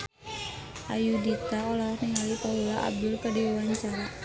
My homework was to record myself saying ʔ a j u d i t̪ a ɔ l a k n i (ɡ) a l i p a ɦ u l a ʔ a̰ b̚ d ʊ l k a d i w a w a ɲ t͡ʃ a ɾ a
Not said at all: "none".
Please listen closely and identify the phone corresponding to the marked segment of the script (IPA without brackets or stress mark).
ŋ